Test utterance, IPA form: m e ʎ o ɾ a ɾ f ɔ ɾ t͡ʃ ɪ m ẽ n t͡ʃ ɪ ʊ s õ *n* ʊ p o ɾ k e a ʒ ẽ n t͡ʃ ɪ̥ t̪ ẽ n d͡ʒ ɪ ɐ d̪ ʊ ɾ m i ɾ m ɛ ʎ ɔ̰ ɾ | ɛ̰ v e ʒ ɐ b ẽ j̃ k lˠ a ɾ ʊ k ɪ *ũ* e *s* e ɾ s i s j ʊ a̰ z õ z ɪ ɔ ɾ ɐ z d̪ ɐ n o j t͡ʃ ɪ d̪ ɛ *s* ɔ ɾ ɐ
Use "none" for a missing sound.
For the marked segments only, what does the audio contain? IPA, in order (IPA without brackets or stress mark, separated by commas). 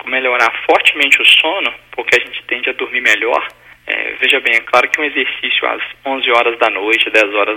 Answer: n, ũ, z, z